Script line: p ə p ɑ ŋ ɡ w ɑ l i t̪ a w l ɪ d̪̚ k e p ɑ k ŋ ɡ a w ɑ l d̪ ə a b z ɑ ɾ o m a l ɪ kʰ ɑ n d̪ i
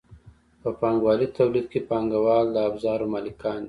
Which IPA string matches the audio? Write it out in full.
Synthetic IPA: p ə p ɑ ŋ ɡ w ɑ l i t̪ a w l i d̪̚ k e p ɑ ŋ ɡ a w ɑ l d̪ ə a b z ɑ ɾ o m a l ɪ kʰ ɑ n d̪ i